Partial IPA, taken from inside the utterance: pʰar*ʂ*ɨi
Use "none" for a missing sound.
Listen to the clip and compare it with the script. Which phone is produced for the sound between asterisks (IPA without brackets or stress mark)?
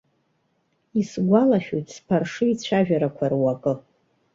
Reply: ʂ